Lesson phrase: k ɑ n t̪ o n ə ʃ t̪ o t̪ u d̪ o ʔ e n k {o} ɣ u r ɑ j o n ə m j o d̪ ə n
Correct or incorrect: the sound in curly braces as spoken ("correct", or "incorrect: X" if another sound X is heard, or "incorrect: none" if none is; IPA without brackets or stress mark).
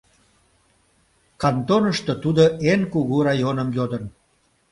incorrect: u